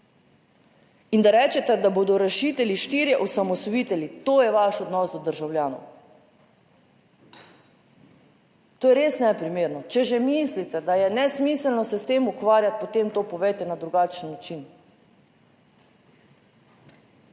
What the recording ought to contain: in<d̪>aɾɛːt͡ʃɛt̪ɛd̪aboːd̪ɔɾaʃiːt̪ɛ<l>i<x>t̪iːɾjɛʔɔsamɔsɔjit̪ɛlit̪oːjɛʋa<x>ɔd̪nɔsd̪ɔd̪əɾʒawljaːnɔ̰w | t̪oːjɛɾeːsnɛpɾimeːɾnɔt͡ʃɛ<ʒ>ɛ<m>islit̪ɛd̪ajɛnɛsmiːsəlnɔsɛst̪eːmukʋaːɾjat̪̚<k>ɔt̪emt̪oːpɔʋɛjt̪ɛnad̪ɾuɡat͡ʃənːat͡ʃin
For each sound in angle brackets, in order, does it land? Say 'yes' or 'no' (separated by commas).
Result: yes, yes, no, no, yes, yes, no